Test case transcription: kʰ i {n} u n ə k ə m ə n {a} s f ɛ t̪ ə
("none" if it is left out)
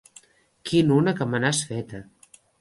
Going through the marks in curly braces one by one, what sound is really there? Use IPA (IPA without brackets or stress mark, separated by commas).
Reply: n, a